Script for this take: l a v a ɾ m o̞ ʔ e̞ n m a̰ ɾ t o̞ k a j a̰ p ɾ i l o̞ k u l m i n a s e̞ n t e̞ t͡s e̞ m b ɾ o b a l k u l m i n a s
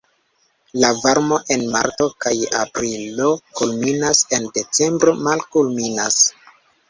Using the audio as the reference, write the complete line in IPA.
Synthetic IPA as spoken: l a v a ɾ m o̞ ʔ e̞ n m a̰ ɾ t o̞ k a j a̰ p ɾ i l o̞ k u l m i n a s e̞ n d e̞ t͡s e̞ m b ɾ o m a l k u l m i n a s